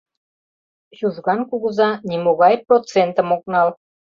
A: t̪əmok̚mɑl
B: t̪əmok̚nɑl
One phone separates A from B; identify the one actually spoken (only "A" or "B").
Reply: B